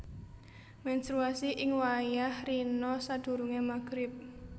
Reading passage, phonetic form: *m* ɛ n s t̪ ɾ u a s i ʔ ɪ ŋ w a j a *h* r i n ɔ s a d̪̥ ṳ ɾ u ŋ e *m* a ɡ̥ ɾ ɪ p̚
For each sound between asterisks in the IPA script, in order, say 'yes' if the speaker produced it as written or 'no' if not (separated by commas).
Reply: yes, yes, yes